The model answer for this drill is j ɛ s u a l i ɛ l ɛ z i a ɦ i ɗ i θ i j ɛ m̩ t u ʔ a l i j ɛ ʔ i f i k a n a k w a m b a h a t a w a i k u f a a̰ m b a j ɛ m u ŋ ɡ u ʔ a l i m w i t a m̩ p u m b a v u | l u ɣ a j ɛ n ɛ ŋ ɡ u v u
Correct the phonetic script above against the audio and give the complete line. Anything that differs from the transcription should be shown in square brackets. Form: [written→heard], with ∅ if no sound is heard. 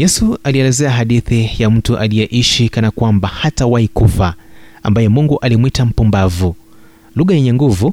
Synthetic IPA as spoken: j ɛ s u a l i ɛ l ɛ z [i→ɛ] a ɦ [i→a] ɗ i θ i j [ɛ→a] m̩ t u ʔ a l i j ɛ ʔ i [f→ʃ] i k a n a k w a m b a h a t a w a i k u f a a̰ m b a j ɛ m u ŋ ɡ u ʔ a l i m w i t a m̩ p u m b a v u | l u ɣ a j ɛ [n→ɲ] ɛ ŋ ɡ u v u